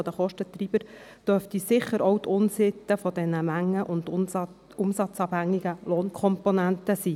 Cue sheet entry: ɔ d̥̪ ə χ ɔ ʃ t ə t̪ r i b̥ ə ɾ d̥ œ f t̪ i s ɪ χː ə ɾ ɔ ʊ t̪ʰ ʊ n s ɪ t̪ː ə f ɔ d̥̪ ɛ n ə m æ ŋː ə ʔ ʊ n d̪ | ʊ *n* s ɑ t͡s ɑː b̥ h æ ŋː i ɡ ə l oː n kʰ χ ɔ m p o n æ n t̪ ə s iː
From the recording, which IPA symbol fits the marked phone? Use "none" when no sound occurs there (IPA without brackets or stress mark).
m